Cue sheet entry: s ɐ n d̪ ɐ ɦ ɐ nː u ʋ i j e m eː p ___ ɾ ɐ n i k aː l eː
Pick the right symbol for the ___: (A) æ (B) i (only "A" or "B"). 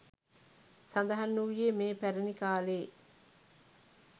A